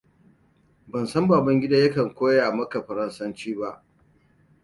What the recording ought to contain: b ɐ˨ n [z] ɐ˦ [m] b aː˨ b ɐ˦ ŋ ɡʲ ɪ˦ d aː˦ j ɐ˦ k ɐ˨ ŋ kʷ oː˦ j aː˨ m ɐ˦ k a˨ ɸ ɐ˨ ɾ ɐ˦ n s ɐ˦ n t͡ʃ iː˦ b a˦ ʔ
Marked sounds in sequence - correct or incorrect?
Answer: incorrect: s, correct

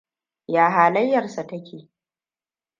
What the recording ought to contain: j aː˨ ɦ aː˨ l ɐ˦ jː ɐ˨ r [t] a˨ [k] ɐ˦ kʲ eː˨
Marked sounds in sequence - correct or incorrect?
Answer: incorrect: s, incorrect: t

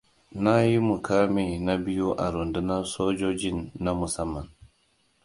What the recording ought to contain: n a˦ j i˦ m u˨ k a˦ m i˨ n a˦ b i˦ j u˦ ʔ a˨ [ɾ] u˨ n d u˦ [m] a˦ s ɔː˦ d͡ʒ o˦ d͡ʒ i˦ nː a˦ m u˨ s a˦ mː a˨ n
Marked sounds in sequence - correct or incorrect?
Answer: correct, incorrect: n

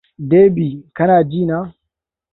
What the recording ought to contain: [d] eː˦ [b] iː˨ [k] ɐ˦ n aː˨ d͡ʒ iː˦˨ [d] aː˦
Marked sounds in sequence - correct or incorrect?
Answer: correct, correct, correct, incorrect: n

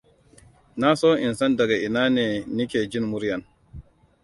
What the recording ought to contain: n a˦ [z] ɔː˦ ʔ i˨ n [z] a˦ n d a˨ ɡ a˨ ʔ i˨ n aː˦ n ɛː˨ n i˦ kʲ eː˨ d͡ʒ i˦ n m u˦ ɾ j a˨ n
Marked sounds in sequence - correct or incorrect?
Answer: incorrect: s, incorrect: s

